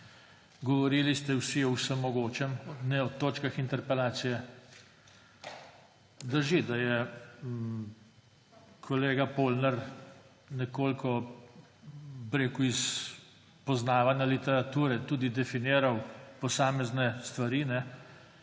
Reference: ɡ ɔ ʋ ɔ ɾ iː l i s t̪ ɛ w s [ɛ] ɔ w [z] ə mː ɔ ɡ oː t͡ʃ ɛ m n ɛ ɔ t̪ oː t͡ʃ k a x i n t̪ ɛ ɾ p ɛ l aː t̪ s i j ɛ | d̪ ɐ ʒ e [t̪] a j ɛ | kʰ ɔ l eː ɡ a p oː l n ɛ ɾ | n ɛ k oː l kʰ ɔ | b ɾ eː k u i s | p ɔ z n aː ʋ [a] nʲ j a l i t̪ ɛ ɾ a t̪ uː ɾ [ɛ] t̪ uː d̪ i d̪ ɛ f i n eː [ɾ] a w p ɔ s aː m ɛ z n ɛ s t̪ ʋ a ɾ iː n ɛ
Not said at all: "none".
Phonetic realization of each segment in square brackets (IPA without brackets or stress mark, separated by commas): i, s, d̪, a, ɛ, ɾ